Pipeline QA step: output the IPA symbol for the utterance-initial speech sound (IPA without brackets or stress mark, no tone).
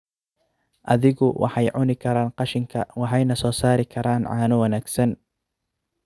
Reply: ʔ